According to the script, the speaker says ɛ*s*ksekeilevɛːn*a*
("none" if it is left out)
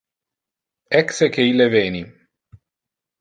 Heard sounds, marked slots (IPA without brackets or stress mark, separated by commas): none, i